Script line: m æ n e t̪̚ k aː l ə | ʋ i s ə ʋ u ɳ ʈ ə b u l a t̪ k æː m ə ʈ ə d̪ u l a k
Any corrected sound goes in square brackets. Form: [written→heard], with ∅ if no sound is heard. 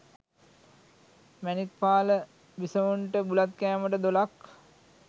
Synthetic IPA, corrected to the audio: m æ n [e→i] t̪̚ [k→p] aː l ə | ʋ i s ə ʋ u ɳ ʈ ə b u l a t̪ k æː m ə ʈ ə d̪ [u→o] l a k